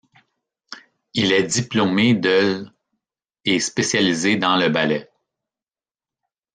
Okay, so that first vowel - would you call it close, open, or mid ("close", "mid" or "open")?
close